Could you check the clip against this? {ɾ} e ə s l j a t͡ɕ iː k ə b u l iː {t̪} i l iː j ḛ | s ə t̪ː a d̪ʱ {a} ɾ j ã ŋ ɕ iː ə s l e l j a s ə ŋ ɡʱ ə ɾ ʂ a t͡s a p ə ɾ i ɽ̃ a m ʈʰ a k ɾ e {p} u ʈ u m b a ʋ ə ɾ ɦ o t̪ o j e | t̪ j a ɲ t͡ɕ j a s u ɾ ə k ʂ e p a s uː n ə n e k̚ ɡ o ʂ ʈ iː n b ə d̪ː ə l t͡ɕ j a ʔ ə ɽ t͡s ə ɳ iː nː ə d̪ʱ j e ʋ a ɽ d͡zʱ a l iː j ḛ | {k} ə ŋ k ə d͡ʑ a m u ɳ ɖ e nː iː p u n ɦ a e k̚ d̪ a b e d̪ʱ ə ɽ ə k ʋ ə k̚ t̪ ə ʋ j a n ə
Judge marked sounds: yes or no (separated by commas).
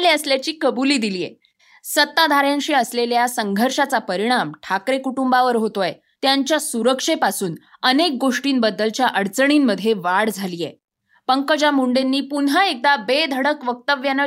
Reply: no, no, yes, no, no